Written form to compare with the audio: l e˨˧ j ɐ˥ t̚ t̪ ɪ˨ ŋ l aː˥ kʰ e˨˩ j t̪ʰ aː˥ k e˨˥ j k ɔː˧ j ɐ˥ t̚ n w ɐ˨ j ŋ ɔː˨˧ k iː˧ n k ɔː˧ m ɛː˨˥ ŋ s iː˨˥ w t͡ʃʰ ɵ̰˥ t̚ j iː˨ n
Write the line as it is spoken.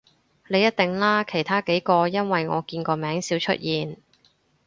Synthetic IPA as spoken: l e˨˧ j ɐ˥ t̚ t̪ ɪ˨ ŋ l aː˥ kʰ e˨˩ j t̪ʰ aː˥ k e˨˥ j k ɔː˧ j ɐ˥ n w ɐ˨ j ŋ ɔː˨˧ k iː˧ n k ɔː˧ m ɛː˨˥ ŋ s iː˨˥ w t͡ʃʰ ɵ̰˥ t̚ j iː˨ n